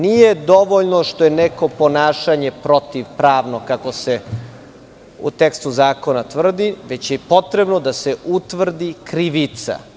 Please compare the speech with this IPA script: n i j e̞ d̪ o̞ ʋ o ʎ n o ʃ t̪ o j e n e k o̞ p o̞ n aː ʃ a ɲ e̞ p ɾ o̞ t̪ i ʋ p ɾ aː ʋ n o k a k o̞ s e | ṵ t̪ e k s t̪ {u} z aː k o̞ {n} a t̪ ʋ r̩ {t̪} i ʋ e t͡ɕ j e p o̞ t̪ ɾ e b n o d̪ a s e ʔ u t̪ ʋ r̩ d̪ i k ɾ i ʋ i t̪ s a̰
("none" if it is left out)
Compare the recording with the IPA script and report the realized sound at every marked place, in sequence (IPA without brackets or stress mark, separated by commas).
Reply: u, n, d̪